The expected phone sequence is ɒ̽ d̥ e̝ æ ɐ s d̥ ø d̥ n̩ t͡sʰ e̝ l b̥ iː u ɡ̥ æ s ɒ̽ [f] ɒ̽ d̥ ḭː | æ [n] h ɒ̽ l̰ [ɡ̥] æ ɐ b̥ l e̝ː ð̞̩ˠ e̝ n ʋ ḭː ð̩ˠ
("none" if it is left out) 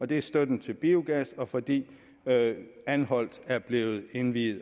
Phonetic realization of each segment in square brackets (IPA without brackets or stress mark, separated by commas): f, n, d̥